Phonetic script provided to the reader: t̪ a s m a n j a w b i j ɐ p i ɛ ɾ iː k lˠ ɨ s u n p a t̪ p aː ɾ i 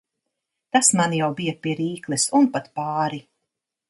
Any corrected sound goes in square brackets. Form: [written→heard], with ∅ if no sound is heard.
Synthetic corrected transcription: t̪ a s m a n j a w b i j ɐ p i ɛ ɾ iː k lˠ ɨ s u n p a t̪ p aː ɾ i